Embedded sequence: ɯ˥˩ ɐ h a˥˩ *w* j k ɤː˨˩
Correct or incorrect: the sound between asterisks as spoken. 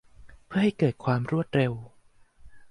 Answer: incorrect: none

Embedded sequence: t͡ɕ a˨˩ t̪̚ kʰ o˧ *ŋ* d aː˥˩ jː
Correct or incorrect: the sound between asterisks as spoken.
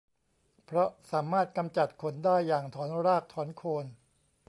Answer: incorrect: n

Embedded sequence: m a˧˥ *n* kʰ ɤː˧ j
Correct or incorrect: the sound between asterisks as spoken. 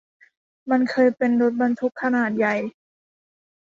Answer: correct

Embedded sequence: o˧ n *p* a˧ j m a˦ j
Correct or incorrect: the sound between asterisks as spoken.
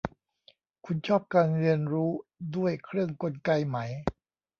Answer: incorrect: k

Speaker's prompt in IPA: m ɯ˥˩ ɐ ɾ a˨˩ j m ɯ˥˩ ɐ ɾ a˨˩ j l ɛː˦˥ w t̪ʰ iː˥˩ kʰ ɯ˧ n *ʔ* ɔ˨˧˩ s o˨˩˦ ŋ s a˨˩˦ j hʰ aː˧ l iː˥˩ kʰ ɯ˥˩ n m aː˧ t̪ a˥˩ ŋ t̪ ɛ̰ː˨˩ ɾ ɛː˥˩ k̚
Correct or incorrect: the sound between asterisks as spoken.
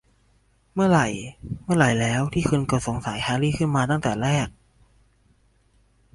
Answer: incorrect: k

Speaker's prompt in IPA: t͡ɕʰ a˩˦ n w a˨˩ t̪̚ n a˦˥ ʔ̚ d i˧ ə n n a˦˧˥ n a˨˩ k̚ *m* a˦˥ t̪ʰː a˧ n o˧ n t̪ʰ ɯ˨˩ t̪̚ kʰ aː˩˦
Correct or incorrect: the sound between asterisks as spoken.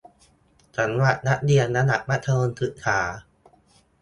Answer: correct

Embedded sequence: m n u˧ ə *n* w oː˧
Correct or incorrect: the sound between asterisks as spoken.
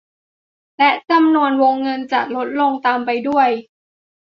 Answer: correct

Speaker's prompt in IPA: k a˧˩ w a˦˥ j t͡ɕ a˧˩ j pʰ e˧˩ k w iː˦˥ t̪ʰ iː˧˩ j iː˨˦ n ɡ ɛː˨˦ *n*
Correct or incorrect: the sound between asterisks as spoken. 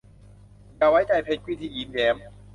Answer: incorrect: m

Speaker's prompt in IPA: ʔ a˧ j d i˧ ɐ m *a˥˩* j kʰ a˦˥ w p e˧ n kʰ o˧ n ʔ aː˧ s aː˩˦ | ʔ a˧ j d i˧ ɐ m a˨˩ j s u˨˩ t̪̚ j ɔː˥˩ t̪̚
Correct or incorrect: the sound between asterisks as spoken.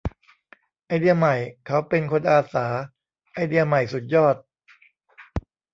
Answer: incorrect: a˨˩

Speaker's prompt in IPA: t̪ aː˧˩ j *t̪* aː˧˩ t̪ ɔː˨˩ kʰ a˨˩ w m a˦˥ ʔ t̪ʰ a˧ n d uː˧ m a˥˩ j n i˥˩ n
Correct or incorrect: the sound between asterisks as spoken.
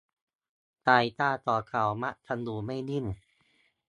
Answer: correct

